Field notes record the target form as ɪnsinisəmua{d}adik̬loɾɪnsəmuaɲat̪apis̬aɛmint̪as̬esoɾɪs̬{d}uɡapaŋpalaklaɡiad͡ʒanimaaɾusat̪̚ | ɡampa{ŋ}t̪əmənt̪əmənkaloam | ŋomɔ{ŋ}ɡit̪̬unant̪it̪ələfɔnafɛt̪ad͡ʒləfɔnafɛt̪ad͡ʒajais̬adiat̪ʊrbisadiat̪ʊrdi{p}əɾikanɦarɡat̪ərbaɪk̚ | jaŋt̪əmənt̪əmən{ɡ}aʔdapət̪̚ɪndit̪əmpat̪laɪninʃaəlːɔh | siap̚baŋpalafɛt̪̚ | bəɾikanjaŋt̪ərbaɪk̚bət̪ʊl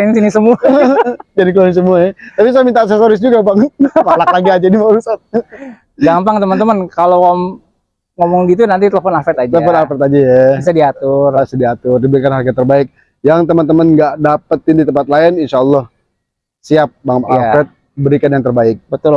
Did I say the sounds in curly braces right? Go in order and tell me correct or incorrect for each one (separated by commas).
incorrect, incorrect, correct, correct, incorrect, correct